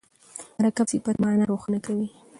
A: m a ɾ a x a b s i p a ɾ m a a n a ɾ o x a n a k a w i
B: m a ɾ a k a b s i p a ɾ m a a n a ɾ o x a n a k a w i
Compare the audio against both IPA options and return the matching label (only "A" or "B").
B